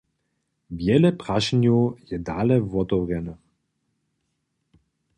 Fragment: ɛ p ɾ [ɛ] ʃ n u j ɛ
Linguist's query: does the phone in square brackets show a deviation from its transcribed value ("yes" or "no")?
yes